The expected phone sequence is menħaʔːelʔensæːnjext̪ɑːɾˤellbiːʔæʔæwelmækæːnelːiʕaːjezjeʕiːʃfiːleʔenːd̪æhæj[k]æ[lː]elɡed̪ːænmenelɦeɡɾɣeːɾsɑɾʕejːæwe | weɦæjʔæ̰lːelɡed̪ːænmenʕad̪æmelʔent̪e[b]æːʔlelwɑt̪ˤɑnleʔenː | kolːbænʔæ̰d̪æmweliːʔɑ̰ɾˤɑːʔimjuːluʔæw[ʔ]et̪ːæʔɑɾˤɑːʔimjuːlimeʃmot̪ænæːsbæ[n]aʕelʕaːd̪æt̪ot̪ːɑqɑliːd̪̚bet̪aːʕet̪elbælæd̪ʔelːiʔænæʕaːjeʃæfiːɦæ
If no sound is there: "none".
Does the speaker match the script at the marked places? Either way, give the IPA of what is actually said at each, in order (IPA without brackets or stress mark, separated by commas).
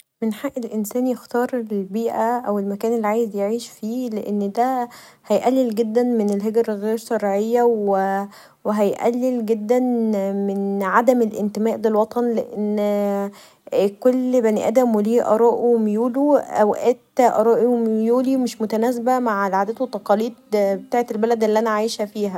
ʔ, lː, m, ʔ, m